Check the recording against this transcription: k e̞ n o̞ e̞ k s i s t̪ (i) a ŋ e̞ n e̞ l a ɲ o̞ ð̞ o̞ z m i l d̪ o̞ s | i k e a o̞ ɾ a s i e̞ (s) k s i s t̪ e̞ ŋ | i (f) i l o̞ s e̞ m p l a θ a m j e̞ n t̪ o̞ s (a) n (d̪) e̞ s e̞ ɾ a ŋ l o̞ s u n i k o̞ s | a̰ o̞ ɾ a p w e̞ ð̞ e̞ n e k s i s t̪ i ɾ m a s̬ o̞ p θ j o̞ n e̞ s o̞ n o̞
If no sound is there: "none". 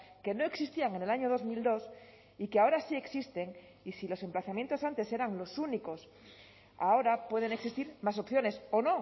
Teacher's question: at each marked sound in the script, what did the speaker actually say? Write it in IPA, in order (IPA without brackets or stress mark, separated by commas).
i, none, s, a, t̪